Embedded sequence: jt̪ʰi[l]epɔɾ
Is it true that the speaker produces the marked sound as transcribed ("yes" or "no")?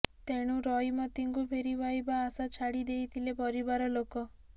yes